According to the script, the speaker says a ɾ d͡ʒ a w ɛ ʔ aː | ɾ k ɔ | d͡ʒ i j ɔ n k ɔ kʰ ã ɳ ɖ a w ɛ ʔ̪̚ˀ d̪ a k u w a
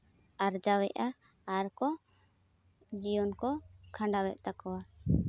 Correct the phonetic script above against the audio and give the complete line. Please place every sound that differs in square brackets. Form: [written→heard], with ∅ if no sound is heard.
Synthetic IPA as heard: a ɾ d͡ʒ a w ɛ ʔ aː | ɾ k ɔ | d͡ʒ i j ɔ n k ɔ kʰ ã ɳ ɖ a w ɛ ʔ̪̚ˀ [d̪→t̪] a k [u→ɔ] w a